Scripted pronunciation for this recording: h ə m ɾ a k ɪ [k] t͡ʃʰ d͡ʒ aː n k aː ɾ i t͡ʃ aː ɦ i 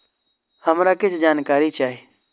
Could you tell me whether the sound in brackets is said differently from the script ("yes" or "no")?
yes